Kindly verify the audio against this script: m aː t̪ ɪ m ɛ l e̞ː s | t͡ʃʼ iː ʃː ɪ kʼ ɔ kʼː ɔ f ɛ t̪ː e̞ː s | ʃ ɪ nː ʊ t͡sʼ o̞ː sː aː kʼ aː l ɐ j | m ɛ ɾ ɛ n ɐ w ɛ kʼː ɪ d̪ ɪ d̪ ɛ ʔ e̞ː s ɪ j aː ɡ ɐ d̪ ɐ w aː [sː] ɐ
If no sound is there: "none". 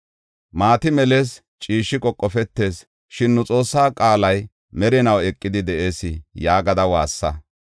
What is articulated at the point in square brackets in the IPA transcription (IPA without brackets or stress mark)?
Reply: sː